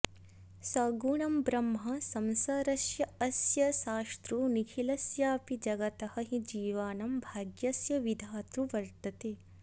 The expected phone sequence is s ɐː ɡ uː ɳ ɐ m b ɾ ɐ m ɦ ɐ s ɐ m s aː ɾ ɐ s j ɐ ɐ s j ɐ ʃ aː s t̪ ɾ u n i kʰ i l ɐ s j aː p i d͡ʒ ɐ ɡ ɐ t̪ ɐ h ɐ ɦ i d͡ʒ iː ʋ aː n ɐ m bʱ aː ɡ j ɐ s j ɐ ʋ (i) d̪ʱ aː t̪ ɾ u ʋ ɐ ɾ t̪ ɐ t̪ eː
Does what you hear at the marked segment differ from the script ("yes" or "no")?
no